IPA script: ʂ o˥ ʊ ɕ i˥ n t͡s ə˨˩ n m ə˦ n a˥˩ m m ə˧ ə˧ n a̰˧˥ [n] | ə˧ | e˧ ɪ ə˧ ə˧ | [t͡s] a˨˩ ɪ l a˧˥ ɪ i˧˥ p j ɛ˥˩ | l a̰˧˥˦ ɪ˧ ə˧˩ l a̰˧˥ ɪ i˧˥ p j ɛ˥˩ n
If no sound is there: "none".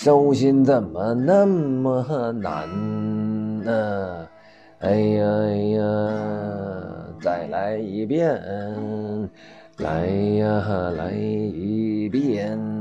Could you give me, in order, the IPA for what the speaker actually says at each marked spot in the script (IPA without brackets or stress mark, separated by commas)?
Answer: n, t͡s